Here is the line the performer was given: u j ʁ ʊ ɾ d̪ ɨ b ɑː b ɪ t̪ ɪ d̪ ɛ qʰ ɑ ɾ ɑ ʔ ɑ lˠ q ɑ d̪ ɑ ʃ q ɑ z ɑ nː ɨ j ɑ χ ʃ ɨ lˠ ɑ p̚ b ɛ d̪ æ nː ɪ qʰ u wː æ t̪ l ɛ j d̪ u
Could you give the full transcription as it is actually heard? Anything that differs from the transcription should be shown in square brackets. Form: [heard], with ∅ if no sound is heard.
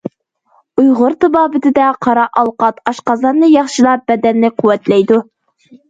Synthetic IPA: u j ʁ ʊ ɾ [t̪] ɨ b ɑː b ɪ t̪ ɪ d̪ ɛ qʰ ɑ ɾ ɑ ʔ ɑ lˠ q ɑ [t̪] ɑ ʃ q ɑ z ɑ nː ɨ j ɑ χ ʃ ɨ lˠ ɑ p̚ b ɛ d̪ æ nː ɪ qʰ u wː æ t̪ l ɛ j d̪ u